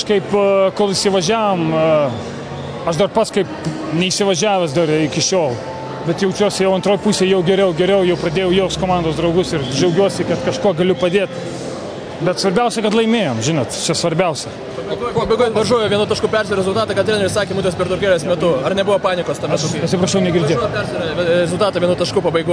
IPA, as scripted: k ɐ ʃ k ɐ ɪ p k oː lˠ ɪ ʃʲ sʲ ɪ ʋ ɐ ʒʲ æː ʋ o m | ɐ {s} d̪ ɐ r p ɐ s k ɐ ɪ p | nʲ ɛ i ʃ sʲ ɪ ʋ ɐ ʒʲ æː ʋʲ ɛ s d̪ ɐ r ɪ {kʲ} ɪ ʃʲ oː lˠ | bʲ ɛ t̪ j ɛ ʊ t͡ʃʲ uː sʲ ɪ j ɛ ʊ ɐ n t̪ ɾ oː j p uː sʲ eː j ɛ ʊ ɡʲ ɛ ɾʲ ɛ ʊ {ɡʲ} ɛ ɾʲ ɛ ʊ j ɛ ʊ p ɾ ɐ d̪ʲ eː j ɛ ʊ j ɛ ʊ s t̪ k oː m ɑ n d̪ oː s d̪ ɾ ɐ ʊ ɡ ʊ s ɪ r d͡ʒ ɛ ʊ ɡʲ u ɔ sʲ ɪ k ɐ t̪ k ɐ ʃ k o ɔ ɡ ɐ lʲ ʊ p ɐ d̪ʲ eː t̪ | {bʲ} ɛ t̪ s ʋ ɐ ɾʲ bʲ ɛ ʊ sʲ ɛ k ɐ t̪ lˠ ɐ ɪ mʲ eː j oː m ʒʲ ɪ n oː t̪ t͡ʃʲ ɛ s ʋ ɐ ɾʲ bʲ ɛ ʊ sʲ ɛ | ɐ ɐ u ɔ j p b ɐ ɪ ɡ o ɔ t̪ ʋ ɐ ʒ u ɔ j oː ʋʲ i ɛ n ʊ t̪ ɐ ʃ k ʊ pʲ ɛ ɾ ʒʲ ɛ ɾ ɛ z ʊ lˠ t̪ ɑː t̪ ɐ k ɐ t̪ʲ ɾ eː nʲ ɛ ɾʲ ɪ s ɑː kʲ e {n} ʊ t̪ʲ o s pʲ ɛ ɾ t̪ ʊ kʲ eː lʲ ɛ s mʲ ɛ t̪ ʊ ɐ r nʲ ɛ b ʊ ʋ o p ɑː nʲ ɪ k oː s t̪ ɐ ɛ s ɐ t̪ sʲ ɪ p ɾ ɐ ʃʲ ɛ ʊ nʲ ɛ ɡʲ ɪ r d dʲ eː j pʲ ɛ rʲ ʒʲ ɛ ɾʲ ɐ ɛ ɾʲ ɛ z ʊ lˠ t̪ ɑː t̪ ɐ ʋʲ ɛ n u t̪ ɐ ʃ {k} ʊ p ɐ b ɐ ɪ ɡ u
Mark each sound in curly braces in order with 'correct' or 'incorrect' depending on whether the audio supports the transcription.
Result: incorrect, correct, correct, correct, incorrect, correct

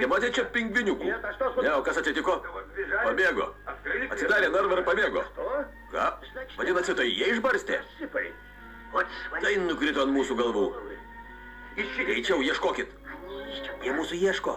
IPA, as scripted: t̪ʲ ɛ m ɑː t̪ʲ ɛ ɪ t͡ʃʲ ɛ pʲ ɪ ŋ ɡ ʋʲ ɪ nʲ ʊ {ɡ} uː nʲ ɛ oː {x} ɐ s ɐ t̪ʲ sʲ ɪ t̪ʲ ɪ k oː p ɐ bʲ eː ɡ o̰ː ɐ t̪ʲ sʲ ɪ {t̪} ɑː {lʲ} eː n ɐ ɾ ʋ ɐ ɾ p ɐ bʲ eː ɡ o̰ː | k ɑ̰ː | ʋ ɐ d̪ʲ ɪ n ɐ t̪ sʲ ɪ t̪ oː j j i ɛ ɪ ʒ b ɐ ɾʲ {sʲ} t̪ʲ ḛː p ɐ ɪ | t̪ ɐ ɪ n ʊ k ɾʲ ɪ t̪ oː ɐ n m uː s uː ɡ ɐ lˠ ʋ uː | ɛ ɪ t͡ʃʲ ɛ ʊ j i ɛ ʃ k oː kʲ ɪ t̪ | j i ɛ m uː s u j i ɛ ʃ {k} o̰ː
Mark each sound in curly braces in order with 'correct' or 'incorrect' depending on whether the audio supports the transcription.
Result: incorrect, incorrect, incorrect, incorrect, correct, correct

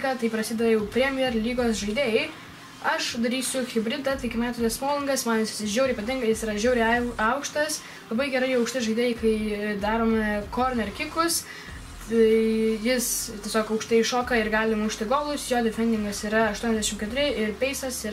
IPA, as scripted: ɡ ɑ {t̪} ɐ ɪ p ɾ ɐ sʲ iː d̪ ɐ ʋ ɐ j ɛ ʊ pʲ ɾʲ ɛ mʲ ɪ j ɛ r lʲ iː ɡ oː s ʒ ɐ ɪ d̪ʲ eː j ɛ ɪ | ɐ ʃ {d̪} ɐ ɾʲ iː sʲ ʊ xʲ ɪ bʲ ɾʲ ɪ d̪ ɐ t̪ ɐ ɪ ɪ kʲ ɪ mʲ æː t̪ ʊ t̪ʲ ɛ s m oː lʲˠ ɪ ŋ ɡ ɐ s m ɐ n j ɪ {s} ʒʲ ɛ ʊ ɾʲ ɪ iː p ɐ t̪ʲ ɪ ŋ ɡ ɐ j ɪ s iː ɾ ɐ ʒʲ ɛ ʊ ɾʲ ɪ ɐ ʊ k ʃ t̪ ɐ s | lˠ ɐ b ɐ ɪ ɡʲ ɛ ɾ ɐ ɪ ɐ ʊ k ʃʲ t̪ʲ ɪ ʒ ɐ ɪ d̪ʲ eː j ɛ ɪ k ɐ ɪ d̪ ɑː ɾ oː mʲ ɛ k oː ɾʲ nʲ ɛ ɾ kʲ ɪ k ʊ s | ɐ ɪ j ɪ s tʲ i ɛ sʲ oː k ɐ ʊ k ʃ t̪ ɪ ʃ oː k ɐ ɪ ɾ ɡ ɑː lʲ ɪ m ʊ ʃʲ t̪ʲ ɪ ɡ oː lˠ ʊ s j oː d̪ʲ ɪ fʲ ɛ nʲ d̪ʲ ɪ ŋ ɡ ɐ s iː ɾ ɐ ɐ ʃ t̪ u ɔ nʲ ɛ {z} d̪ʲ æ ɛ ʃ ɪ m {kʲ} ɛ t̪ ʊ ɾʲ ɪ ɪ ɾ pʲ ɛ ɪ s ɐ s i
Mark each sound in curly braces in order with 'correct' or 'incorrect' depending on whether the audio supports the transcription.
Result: correct, correct, correct, correct, correct

